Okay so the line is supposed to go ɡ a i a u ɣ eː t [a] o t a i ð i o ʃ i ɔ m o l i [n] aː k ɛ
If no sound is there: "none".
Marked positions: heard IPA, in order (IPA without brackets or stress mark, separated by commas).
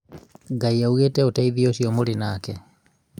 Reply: ɛ, n